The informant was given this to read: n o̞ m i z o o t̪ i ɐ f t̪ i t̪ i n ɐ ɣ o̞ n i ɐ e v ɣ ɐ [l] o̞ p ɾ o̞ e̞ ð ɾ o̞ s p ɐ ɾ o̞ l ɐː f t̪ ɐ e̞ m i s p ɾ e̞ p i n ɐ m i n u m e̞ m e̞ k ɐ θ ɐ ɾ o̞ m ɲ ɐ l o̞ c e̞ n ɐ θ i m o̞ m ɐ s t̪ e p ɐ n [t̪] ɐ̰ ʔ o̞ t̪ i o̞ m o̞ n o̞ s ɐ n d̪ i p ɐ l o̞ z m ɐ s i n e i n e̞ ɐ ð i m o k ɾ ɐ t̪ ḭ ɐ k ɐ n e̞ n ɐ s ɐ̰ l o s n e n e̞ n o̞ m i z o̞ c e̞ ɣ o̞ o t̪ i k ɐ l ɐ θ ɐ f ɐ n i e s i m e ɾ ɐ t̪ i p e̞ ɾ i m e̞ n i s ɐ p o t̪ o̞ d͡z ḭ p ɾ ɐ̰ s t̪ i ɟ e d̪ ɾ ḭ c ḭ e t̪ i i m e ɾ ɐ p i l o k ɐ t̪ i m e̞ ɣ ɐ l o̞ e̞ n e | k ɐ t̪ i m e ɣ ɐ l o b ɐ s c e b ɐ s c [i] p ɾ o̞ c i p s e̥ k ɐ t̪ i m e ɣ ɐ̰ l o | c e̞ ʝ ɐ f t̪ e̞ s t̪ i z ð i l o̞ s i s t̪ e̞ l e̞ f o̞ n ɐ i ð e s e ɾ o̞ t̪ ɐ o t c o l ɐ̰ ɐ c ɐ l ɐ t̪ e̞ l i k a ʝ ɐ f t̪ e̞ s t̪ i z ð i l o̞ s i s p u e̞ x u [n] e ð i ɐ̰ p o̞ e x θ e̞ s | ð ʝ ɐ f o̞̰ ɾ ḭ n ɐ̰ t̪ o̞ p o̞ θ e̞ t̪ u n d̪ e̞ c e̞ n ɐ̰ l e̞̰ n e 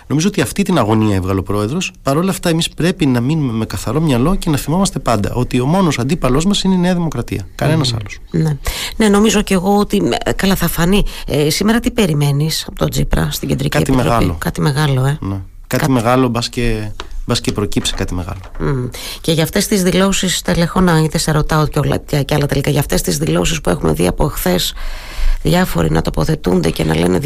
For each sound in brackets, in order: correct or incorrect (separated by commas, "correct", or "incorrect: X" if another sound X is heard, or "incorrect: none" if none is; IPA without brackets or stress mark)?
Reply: correct, incorrect: d̪, incorrect: e, incorrect: m